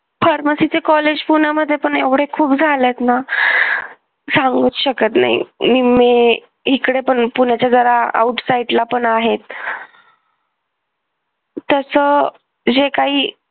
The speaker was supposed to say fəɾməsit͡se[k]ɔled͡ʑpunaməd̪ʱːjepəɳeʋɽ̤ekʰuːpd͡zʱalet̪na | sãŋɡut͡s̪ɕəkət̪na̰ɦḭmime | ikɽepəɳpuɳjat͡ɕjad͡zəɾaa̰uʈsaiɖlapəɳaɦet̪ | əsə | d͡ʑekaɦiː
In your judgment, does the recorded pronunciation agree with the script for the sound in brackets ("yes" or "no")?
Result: yes